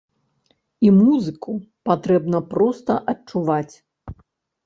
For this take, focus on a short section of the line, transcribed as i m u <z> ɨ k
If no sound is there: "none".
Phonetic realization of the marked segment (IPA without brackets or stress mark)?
z